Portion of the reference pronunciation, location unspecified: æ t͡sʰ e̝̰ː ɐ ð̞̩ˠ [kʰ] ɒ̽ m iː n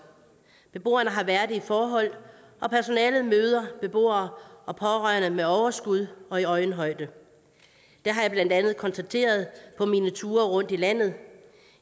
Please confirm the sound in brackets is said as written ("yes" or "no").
no